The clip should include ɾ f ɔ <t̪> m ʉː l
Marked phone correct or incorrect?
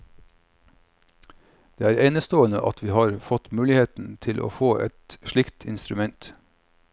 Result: correct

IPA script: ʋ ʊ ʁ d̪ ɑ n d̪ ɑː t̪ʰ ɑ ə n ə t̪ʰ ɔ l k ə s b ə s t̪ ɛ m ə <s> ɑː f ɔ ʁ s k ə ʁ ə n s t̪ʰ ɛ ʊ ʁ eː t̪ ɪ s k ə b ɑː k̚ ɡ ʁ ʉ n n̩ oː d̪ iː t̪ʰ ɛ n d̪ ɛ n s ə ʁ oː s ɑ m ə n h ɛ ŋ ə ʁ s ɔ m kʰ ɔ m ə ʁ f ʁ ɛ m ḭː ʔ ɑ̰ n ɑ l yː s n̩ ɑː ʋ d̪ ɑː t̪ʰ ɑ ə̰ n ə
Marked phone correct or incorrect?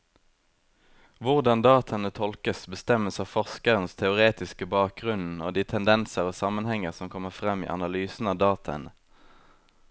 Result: correct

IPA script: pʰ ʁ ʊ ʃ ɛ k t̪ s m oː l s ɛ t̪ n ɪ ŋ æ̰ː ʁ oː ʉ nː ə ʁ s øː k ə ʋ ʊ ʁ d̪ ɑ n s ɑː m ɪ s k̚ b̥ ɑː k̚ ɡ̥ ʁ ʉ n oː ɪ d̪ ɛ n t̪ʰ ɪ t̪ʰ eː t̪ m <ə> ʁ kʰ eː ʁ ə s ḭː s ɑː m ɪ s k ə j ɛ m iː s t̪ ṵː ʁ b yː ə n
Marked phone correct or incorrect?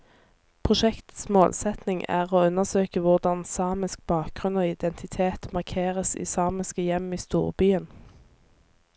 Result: incorrect: ɑ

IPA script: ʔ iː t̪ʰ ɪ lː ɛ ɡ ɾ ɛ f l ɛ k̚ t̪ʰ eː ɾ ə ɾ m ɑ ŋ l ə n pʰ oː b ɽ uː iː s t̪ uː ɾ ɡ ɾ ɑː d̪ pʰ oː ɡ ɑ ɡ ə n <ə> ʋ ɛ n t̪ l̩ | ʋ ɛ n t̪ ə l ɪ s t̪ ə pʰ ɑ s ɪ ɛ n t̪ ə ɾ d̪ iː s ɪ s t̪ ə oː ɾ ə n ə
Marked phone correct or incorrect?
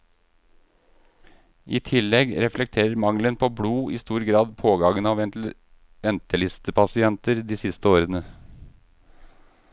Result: incorrect: ɑ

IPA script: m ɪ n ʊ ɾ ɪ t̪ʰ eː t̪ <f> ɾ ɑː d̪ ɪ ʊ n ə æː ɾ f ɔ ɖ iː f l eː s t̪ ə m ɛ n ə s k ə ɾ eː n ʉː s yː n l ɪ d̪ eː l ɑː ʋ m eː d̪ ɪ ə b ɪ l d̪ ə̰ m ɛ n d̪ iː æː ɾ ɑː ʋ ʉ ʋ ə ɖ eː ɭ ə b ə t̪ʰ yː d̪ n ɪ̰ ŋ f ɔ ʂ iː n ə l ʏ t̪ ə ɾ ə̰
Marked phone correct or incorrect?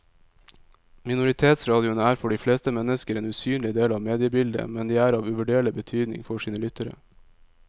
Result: incorrect: s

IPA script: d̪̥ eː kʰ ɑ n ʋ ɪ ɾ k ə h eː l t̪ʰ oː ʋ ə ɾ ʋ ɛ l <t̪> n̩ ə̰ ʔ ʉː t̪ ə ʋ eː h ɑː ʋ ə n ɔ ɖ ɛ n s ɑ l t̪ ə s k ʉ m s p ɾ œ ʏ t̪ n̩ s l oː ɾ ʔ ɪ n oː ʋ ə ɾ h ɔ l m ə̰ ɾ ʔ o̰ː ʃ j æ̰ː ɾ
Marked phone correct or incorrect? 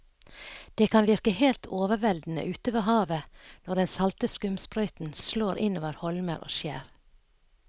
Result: incorrect: d̪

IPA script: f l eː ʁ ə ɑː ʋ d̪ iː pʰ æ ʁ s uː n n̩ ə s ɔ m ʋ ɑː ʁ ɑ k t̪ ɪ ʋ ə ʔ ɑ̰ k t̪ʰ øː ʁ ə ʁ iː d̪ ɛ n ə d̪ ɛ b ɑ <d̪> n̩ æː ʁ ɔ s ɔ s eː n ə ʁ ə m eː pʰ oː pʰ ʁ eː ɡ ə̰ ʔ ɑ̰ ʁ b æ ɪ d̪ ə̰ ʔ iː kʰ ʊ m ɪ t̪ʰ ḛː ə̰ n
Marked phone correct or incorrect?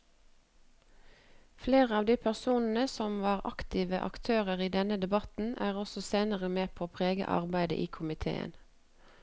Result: incorrect: t̪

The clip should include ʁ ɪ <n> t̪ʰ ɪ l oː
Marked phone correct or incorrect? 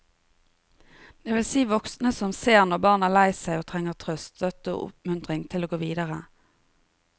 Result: incorrect: ŋ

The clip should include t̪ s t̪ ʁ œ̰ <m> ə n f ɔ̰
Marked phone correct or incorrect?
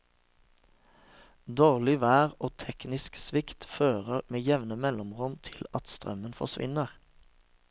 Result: correct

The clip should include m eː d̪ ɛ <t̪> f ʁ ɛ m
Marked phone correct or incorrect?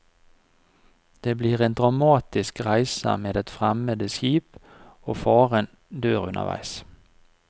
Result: correct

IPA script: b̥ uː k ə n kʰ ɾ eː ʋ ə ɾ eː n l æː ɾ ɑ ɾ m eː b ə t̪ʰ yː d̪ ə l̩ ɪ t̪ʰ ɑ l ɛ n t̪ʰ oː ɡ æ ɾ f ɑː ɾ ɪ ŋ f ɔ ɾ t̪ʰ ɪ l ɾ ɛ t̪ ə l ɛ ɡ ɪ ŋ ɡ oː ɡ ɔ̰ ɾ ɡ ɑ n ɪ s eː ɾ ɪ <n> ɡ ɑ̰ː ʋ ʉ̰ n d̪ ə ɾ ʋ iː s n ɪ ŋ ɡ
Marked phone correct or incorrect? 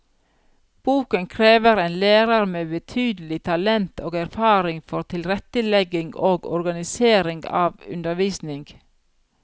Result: incorrect: ŋ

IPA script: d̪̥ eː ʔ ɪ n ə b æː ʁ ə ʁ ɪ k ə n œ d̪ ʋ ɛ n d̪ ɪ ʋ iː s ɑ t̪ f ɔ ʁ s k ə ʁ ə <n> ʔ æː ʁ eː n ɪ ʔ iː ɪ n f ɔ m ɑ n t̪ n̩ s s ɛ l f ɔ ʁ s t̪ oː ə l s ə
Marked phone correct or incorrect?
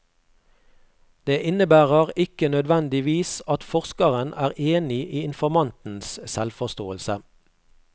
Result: correct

